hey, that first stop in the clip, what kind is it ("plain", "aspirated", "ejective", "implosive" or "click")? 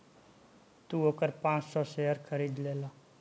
plain